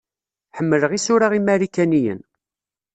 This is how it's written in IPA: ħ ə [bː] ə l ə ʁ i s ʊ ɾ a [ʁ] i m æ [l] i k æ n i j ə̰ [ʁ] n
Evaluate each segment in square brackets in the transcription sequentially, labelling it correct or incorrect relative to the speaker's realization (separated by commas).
incorrect, correct, incorrect, incorrect